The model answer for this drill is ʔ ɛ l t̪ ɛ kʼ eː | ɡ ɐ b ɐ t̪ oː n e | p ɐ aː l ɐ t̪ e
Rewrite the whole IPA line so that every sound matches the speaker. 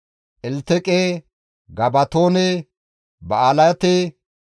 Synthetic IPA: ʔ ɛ l t̪ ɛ kʼ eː | ɡ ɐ b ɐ t̪ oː n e | b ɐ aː l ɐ t̪ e